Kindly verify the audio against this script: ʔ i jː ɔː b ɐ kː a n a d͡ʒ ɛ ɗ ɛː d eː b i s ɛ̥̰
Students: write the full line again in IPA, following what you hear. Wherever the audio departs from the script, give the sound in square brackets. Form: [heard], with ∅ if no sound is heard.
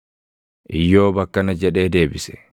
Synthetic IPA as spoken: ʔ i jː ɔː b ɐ kː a n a d͡ʒ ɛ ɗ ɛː d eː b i s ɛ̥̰